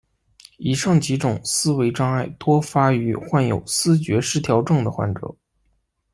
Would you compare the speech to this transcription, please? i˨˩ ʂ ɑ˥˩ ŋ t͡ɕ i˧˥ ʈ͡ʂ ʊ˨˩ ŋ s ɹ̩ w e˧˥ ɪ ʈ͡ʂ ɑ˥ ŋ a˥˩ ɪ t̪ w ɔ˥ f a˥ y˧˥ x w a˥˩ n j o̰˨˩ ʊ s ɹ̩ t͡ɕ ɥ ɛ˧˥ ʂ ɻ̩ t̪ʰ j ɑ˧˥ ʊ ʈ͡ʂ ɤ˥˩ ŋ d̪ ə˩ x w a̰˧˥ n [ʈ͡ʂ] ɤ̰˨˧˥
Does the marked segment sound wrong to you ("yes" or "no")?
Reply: no